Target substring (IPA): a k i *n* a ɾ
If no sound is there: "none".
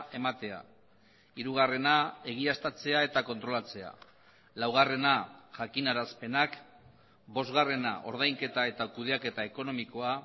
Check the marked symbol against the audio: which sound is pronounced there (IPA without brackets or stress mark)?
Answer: n